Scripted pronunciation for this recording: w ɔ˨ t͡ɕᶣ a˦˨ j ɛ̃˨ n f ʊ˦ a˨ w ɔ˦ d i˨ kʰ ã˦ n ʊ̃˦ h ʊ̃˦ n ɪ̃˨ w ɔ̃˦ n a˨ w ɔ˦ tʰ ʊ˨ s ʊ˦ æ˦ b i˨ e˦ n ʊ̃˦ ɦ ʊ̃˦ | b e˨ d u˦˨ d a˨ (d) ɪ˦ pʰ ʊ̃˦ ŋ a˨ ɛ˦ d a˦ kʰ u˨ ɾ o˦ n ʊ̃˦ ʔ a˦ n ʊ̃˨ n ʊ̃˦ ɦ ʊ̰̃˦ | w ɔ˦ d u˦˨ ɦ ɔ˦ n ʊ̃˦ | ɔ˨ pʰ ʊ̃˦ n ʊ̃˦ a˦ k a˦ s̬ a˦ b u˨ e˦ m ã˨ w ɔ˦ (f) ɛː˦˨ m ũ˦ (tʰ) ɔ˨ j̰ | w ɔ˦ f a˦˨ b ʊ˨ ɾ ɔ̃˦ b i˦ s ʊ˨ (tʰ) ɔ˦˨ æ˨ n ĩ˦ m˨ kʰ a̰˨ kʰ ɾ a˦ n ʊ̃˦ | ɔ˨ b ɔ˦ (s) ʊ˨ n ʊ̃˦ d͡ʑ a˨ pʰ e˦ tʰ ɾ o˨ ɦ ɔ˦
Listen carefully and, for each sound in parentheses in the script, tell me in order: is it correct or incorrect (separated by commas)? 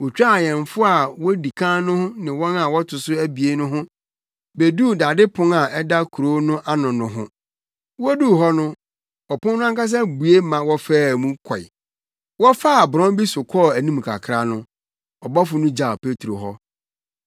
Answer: correct, correct, incorrect, incorrect, incorrect